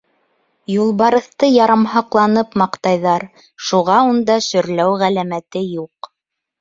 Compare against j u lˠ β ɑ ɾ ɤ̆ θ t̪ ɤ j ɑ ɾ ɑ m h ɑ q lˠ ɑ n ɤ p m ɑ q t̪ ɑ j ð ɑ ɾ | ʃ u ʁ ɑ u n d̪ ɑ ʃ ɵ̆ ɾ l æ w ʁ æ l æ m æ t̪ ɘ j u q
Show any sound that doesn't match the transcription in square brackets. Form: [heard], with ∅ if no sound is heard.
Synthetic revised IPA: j u lˠ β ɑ ɾ ɤ̆ θ t̪ ɤ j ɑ ɾ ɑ m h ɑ q lˠ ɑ n ɤ p m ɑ q t̪ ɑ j ð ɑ ɾ | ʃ u ʁ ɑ u n d̪ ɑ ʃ ɵ̆ ɾ l æ w ʁ æ l æ m æ t̪ ɘ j u q